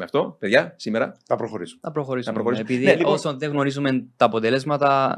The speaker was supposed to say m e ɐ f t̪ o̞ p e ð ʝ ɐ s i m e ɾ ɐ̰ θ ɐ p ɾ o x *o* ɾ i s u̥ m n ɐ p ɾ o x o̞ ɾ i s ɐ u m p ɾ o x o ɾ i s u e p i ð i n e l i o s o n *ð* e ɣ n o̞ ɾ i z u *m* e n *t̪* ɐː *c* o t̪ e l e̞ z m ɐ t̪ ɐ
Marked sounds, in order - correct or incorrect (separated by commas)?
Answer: correct, correct, correct, correct, incorrect